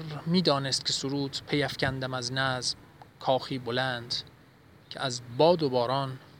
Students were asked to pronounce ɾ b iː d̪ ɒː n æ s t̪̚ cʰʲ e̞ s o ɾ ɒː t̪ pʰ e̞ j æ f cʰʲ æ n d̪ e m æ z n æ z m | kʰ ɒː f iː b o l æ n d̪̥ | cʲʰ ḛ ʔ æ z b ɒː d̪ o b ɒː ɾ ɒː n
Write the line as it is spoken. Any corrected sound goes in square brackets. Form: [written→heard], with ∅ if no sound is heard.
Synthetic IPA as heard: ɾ [b→m] iː d̪ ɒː n [æ→e] s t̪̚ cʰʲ e̞ s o ɾ [ɒː→uː] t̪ pʰ e̞ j æ f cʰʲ æ n d̪ [e→æ] m æ z n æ z m | kʰ ɒː [f→x] iː b o l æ n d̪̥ | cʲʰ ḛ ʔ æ z b ɒː d̪ o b ɒː ɾ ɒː n